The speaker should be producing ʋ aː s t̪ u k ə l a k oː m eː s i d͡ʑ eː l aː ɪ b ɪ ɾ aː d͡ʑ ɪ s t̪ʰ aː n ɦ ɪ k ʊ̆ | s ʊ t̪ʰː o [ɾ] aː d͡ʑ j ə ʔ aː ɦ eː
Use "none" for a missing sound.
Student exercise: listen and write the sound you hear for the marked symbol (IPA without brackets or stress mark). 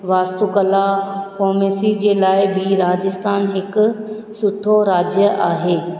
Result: ɾ